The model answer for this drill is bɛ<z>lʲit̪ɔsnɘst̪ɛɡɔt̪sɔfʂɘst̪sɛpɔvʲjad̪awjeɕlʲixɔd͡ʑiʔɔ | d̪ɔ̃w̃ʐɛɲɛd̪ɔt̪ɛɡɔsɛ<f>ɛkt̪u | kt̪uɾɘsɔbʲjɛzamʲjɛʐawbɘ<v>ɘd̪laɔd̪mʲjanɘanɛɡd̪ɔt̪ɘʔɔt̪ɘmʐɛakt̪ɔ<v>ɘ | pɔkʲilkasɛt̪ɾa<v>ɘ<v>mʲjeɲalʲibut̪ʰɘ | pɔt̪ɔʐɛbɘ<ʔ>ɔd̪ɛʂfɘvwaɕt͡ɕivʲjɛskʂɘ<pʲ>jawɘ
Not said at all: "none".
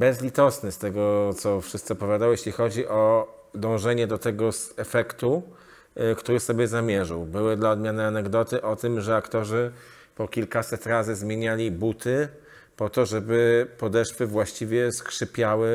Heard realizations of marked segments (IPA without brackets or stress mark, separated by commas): z, f, w, ʐ, z, z, p, pʲ